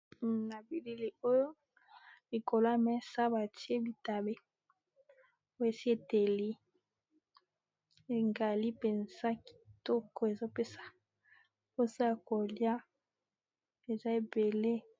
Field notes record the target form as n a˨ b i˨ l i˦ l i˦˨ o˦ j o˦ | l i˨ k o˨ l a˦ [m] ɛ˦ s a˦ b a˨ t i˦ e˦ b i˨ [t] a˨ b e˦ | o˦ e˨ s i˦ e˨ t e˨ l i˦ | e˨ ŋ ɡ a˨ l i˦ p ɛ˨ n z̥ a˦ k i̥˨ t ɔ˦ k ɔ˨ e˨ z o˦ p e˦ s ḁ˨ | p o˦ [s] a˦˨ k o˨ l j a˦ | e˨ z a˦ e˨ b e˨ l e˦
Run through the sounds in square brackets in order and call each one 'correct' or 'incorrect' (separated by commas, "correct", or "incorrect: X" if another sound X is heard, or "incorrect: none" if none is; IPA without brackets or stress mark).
correct, correct, correct